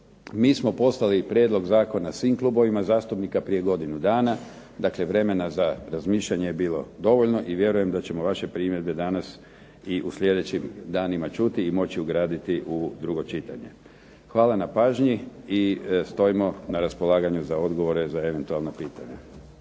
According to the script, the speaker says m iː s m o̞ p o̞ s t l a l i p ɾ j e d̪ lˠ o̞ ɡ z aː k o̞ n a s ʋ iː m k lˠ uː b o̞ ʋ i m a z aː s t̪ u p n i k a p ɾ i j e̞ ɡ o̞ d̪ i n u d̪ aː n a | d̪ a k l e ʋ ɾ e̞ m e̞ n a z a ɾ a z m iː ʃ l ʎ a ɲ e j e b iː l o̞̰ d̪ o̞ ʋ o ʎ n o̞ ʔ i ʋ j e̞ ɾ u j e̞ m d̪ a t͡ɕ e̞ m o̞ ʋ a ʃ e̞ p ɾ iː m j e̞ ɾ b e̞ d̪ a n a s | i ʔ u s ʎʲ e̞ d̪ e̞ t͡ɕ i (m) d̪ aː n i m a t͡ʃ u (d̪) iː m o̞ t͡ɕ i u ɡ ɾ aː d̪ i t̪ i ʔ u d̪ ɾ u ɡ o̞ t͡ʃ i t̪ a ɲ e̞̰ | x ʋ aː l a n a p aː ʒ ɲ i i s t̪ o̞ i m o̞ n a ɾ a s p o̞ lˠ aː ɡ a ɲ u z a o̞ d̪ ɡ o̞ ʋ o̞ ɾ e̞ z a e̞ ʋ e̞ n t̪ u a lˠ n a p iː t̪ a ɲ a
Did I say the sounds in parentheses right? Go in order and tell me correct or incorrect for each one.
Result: correct, incorrect: t̪

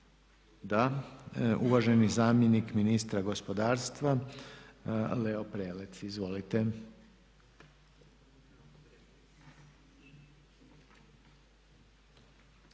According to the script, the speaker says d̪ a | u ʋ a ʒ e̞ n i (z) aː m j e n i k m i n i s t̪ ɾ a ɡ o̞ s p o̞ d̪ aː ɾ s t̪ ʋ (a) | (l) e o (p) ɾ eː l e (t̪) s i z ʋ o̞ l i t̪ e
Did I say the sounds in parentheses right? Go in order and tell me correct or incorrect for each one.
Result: correct, correct, correct, correct, correct

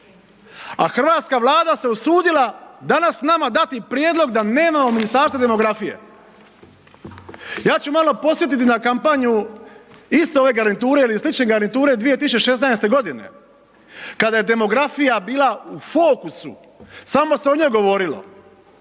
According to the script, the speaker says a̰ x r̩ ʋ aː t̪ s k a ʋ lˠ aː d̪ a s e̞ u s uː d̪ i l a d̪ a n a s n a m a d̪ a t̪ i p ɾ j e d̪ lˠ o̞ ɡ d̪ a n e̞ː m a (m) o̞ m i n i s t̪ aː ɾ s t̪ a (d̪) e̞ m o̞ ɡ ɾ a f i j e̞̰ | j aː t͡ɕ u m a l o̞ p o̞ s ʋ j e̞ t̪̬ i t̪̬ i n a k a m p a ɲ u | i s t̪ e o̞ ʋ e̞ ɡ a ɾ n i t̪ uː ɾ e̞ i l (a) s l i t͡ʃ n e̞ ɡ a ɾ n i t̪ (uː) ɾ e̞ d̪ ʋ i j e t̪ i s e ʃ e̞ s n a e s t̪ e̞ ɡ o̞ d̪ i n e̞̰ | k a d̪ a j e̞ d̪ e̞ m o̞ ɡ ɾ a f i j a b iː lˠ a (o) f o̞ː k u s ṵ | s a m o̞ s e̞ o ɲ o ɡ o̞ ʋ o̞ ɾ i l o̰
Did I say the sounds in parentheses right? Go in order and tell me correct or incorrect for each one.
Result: correct, correct, incorrect: i, correct, incorrect: u

